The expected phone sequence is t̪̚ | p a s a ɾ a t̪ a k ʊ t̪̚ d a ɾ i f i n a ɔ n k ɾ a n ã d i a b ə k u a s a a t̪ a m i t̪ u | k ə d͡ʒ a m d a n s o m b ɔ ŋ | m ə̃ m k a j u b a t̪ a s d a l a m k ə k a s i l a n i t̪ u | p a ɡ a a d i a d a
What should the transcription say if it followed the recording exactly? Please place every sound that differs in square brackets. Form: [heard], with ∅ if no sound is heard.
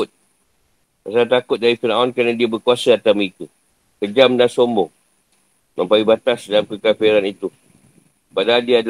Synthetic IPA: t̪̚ | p a s a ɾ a t̪ a k ʊ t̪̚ d a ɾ i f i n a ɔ n k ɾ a n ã d i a b ə k u a s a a t̪ a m i t̪ u | k ə d͡ʒ a m d a n s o m b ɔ ŋ | m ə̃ m [p] a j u b a t̪ a s d a l a m k ə k a [f] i [ɾ] a n i t̪ u | p a [d] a a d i a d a